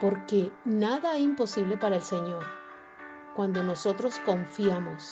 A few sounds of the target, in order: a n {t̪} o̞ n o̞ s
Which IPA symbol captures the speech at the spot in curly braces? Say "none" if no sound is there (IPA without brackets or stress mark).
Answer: d̪